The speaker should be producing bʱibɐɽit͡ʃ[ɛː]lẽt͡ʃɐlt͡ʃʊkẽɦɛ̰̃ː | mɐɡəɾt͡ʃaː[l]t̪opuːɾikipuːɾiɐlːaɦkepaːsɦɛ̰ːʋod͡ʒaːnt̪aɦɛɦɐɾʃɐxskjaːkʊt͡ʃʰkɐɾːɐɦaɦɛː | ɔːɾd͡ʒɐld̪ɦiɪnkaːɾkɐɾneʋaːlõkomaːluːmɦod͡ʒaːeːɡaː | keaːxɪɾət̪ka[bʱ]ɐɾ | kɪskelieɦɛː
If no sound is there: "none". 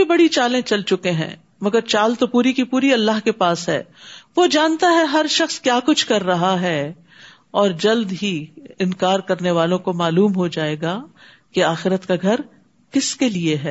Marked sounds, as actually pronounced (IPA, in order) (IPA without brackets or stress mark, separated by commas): aː, l, ɡʱ